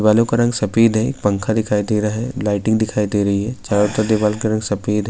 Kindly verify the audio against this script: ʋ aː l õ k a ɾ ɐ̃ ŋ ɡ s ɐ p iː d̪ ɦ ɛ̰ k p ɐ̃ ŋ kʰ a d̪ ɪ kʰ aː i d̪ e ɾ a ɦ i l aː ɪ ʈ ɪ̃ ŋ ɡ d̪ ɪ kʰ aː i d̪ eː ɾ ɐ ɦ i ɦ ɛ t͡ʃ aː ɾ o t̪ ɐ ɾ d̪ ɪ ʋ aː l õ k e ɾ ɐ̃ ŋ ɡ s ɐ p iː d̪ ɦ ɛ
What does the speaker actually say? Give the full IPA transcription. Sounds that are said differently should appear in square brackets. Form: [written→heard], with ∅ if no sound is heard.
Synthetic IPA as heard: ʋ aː l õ k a ɾ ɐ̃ ŋ ɡ s ɐ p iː d̪ ɦ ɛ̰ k p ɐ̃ ŋ kʰ a d̪ ɪ kʰ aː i d̪ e ɾ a ɦ [i→ɛ] l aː ɪ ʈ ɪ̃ ŋ ɡ d̪ ɪ kʰ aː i d̪ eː ɾ ɐ ɦ i ɦ ɛ t͡ʃ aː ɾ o t̪ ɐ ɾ d̪ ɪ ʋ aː l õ k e ɾ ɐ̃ ŋ ɡ s ɐ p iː d̪ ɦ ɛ